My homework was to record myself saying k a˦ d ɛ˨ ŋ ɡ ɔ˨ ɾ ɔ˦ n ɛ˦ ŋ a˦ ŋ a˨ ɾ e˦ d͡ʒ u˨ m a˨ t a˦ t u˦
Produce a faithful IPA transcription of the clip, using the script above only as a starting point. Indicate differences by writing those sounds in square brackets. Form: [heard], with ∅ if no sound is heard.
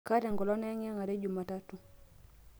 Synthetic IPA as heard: k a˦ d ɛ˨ ŋ ɡ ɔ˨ [l] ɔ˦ n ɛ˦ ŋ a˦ ŋ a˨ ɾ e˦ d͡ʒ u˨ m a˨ t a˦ t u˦